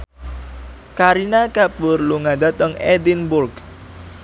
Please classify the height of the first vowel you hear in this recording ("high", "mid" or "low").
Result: low